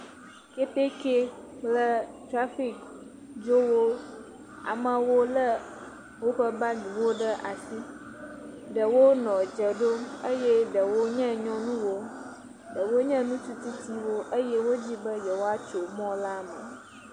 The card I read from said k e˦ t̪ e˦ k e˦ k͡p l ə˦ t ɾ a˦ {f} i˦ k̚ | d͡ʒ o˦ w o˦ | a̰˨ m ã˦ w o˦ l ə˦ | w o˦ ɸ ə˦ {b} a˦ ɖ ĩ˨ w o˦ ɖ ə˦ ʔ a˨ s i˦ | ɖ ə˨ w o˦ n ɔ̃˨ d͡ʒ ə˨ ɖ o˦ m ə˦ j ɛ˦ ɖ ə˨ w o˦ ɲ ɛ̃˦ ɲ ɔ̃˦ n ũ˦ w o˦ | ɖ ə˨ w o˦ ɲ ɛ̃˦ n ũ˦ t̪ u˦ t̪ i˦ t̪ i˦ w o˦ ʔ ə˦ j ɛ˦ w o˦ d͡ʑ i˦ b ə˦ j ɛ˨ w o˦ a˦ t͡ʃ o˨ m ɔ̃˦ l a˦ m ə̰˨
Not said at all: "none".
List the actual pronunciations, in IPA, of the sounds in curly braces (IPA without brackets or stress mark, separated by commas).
f, b